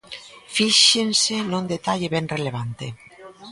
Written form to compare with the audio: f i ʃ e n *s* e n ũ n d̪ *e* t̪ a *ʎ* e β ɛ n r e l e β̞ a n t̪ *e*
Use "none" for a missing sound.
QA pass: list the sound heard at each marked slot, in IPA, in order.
s, e, ʎ, e

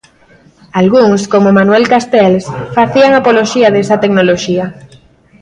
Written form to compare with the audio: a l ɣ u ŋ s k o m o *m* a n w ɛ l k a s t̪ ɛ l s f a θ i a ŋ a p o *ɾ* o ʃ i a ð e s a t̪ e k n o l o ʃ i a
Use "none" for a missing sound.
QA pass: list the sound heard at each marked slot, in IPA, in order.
m, l

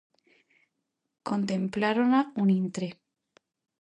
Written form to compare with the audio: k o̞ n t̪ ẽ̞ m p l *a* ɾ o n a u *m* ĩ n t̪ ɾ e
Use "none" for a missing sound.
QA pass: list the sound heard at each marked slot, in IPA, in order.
a, n

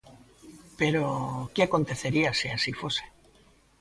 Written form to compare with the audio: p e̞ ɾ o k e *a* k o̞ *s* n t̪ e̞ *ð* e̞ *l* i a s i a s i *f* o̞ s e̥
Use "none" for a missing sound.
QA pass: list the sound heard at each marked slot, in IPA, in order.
a, none, θ, ɾ, f

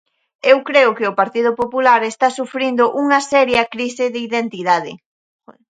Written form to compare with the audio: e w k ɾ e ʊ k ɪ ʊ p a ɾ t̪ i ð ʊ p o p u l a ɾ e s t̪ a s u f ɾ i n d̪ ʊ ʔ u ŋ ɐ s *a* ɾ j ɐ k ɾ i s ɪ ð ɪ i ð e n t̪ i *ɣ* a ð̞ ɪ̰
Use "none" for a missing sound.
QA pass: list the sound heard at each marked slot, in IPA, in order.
ɛ, ð

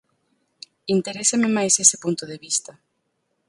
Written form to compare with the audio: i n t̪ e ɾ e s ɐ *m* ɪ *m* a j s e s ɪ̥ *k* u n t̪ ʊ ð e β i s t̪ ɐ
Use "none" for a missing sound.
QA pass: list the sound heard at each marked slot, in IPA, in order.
m, m, p

